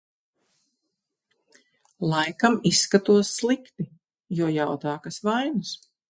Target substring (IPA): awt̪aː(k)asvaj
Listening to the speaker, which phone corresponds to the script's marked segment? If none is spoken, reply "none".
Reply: k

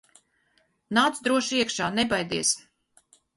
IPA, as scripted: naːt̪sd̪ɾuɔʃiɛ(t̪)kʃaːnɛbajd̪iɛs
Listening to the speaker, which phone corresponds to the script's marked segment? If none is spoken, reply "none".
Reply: none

